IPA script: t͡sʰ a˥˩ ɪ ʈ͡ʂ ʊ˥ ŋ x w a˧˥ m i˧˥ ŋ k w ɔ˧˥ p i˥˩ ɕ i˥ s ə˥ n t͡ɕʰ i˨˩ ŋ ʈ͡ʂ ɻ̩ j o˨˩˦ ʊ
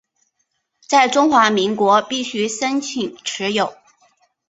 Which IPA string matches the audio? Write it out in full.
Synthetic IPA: t͡s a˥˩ ɪ ʈ͡ʂ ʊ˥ ŋ x w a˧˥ m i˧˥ ŋ k w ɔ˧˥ p i˥˩ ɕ y˥ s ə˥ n t͡ɕʰ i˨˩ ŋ ʈ͡ʂʰ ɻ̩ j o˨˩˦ ʊ